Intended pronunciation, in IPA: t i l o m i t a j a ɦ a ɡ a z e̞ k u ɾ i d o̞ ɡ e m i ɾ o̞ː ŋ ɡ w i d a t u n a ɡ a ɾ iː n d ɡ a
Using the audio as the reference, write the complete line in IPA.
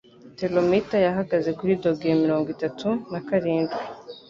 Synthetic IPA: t e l o m i t a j a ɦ a ɡ a z e̞ k u ɾ i d o̞ ɡ e m i ɾ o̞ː ŋ ɡ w i t a t u n a k a ɾ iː n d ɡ i